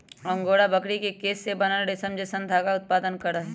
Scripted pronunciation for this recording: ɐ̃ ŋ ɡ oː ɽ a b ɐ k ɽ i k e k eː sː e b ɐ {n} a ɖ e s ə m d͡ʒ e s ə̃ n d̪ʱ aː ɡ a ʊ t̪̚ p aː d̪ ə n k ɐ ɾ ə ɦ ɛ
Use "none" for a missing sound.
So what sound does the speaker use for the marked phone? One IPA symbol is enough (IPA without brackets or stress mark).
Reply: n